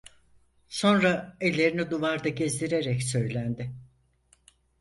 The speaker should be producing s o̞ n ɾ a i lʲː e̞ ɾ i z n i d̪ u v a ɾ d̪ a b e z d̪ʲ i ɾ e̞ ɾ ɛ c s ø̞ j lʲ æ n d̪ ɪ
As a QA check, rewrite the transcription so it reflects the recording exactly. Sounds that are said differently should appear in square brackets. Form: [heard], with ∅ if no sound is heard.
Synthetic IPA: s o̞ n ɾ a [e] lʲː e̞ ɾ i [∅] n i d̪ u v a ɾ d̪ a [ɟ] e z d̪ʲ i ɾ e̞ ɾ ɛ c s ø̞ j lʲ æ n d̪ ɪ